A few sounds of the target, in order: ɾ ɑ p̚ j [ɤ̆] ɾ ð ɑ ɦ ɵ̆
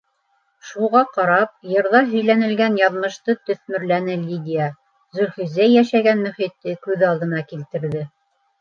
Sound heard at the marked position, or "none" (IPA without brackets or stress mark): ɤ̆